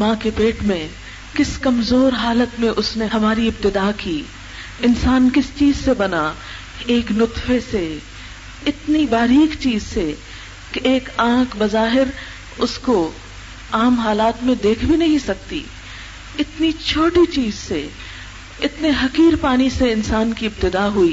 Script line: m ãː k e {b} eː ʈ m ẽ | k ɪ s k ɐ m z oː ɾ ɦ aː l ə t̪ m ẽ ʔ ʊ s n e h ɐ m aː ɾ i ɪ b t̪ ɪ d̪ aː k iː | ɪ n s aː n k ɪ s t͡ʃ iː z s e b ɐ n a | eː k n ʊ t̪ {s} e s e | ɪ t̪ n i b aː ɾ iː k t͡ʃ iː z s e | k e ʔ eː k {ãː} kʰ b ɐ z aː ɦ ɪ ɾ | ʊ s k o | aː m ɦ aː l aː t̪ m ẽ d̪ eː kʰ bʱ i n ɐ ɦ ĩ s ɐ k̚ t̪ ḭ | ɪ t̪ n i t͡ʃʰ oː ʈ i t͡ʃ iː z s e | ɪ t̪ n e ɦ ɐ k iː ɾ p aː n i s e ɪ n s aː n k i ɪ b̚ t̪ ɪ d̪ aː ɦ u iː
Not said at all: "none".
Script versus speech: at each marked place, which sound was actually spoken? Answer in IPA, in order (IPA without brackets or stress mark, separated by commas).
p, f, ãː